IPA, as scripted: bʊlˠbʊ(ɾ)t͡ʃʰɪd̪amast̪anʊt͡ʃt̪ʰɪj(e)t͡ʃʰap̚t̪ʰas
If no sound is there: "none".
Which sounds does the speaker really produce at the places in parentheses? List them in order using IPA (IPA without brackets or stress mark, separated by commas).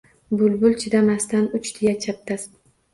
l, a